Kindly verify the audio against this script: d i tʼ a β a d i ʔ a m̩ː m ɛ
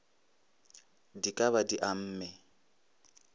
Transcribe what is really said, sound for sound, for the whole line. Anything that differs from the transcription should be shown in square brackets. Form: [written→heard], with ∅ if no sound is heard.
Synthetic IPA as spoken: d i [tʼ→kʼ] a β a d i ʔ a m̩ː m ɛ